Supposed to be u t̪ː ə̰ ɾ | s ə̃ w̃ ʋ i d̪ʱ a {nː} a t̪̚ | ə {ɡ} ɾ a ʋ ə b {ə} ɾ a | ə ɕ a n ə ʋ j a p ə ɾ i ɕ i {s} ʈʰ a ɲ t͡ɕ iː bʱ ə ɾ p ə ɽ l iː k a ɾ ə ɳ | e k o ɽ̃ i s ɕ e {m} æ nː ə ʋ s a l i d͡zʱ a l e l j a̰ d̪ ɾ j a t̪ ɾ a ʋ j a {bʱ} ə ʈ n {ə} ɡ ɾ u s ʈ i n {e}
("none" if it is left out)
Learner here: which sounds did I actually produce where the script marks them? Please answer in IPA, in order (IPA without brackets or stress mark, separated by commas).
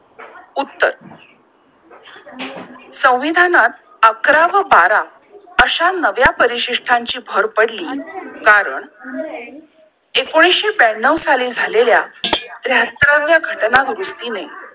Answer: n, k, a, ʂ, b, ɡʱ, a, e